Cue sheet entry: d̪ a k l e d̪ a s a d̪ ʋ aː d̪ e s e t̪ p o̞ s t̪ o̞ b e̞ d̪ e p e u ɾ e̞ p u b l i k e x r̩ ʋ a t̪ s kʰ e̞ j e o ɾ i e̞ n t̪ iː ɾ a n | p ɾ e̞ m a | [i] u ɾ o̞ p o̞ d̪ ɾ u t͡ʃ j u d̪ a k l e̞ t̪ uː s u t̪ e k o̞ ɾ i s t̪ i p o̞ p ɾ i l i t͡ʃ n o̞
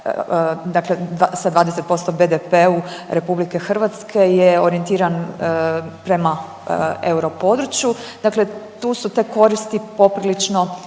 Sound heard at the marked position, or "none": e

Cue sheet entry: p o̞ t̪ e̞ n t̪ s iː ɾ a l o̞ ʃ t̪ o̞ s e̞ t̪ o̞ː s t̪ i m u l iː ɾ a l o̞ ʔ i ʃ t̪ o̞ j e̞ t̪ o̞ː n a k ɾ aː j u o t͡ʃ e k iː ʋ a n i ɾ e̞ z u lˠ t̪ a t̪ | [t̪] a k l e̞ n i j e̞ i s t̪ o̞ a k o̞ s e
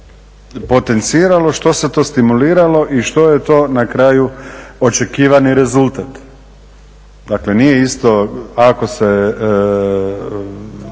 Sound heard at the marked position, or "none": d̪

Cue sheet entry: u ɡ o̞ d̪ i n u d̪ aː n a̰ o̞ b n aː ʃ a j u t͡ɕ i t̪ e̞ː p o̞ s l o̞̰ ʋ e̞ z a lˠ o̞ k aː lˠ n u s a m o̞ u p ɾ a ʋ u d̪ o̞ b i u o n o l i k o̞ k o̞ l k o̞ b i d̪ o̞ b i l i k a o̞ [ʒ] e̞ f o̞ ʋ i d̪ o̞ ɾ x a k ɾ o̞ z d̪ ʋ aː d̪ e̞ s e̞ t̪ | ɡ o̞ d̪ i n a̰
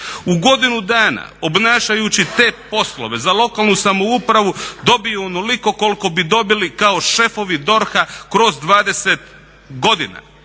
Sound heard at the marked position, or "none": ʃ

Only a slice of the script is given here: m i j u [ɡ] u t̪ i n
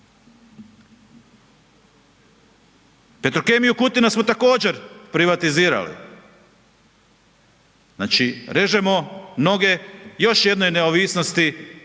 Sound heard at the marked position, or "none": k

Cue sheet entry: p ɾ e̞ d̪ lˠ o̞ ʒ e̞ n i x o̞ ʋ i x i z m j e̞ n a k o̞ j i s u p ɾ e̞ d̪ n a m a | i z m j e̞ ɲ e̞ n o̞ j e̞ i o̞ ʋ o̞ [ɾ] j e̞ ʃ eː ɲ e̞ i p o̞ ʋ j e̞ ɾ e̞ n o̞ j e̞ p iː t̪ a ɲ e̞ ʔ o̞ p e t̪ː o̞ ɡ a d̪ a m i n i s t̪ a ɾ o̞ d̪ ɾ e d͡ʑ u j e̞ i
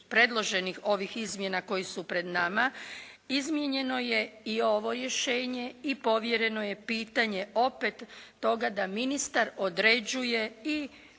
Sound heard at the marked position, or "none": ɾ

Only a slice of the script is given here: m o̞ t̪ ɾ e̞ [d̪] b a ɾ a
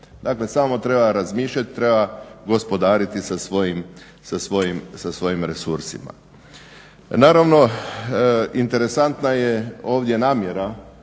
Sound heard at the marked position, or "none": none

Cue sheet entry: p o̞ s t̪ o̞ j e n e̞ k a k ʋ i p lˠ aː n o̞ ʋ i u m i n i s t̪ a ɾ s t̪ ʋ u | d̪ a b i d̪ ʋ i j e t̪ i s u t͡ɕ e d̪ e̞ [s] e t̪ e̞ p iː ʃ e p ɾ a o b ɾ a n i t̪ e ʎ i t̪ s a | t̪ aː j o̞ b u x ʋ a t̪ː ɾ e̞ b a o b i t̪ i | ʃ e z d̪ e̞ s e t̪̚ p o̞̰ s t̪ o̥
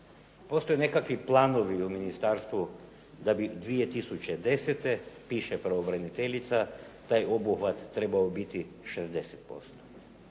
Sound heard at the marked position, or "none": s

